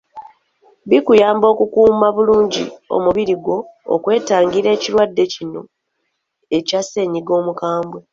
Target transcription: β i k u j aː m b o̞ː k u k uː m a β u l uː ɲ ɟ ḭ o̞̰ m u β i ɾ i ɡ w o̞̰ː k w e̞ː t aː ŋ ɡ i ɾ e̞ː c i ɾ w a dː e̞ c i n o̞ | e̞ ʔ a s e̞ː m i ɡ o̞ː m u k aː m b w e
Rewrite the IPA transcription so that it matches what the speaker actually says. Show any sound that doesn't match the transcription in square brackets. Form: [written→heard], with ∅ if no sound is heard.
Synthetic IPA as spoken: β i k u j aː m b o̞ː k u k uː m a β u l uː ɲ ɟ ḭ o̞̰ m u β i ɾ i ɡ w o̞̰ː k w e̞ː t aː ŋ ɡ i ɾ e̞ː c i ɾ w a dː e̞ c i n o̞ | e̞ [ʔ→c] a s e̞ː [m→ɲ] i ɡ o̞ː m u k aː m b w e